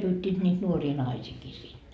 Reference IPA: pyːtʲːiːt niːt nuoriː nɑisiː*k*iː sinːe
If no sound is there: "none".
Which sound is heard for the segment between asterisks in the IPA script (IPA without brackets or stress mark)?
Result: k